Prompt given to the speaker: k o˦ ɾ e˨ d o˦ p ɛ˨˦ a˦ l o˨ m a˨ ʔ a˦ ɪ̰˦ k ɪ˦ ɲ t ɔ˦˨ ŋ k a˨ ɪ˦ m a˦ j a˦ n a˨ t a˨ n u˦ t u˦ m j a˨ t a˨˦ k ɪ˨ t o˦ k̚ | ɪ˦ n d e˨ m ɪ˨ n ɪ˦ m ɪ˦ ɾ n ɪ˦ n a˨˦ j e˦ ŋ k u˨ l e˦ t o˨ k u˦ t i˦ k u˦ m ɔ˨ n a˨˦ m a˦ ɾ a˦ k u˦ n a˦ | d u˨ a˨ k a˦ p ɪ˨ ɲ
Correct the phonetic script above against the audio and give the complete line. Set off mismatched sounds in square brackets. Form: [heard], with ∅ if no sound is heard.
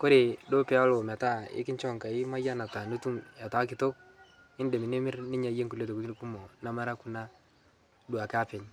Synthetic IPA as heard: k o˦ ɾ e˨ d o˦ p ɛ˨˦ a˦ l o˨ m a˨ [t] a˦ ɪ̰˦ k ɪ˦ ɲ [t͡ʃ] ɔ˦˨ ŋ k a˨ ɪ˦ m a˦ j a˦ n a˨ t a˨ n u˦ t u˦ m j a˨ t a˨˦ k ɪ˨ t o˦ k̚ | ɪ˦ n d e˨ m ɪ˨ n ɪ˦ m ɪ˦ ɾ n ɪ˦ [ɲ] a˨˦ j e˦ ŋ k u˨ l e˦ t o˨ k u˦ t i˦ k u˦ m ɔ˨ n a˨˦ m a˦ ɾ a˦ k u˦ n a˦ | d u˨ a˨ k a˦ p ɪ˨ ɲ